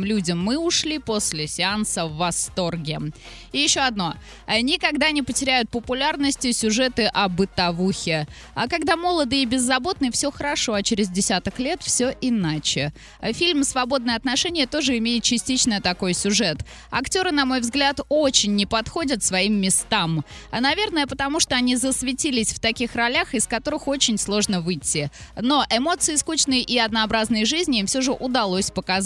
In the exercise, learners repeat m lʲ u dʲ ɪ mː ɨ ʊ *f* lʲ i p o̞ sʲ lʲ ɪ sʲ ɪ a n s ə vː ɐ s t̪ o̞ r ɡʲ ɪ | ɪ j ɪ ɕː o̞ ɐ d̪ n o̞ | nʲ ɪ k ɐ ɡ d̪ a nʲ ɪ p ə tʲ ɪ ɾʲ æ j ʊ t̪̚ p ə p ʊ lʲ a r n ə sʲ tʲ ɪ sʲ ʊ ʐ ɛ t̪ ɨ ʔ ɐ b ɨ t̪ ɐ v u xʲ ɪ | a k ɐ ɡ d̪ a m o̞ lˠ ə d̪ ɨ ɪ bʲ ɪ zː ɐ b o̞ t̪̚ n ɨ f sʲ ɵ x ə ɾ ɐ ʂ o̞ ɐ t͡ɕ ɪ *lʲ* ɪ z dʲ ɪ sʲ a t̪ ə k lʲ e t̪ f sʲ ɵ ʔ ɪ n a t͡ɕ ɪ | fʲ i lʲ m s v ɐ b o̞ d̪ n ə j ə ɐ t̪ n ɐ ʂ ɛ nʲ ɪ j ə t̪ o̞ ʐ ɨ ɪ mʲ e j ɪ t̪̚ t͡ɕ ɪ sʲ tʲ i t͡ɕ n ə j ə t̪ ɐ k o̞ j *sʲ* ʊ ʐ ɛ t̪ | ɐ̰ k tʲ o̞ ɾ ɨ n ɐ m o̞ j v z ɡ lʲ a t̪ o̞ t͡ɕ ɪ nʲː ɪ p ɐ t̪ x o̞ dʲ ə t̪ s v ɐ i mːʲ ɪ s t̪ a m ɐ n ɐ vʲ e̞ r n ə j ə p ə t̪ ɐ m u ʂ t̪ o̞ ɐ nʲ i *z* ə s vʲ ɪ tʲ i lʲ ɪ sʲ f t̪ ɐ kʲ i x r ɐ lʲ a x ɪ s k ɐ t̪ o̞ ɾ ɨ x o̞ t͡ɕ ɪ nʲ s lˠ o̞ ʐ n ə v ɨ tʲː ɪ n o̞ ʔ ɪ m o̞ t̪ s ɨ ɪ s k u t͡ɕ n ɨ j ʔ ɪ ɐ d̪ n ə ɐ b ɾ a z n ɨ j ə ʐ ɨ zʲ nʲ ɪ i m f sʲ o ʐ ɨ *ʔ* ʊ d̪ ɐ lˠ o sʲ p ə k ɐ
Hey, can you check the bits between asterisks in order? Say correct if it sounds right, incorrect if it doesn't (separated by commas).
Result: incorrect, incorrect, correct, correct, correct